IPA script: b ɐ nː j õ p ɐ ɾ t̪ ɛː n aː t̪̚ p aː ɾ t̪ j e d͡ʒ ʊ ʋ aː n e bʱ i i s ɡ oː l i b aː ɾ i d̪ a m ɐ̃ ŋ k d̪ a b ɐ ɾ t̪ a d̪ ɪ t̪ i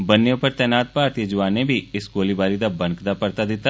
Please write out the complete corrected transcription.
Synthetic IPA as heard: b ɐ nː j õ p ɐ ɾ t̪ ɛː n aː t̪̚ p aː ɾ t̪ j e d͡ʒ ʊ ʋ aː n e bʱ i ɪ s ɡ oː l i b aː ɾ i d̪ a b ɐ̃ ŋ k d̪ a p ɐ ɾ t̪ a d̪ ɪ t̪ a